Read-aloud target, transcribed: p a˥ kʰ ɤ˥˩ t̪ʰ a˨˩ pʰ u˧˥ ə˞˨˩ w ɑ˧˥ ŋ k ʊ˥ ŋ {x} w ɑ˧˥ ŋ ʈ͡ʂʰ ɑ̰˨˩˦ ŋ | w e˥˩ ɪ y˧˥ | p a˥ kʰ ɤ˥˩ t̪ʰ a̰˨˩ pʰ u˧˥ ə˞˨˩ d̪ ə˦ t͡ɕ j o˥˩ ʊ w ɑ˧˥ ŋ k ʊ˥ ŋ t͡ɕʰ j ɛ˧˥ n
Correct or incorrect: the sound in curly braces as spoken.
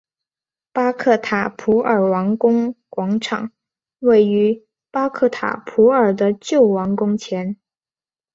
incorrect: k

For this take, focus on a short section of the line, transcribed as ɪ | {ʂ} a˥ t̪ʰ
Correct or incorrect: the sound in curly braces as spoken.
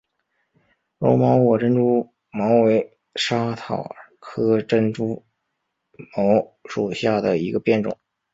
correct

